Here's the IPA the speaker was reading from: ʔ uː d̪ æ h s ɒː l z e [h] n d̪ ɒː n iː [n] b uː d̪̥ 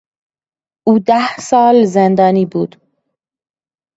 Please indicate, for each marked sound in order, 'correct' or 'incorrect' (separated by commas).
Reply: incorrect, incorrect